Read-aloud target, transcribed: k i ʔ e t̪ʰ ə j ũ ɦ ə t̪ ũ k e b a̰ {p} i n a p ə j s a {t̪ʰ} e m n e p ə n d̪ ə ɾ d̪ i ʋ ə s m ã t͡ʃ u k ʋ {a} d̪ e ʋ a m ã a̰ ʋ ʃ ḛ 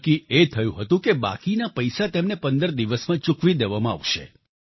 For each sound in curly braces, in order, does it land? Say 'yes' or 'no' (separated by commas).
no, no, no